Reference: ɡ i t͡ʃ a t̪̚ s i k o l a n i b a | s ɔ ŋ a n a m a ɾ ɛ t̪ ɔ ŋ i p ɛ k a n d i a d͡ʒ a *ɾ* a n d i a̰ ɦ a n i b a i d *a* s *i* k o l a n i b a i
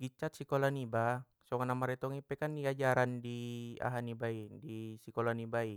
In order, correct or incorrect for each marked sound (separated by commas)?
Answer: correct, incorrect, correct